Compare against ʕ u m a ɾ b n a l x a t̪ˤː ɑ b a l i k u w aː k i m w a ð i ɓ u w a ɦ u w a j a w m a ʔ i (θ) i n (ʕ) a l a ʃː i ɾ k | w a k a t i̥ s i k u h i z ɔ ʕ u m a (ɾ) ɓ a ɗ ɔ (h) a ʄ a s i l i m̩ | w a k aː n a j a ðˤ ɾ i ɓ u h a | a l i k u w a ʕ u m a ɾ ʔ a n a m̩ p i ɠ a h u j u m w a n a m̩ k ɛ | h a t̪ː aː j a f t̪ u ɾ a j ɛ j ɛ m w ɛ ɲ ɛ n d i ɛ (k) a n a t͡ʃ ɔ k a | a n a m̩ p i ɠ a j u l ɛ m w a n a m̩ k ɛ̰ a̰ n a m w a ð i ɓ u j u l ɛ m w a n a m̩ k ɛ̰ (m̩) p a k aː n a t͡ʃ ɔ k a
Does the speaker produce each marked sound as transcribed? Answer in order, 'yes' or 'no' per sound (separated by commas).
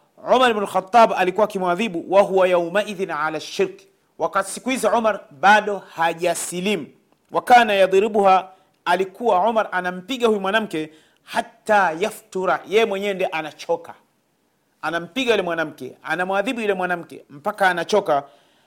no, yes, yes, yes, no, yes